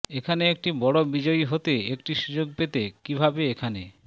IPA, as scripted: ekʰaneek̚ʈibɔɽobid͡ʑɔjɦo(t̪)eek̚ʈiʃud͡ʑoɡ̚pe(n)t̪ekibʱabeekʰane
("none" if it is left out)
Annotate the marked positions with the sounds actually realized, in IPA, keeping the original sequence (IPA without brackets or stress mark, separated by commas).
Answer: t̪, none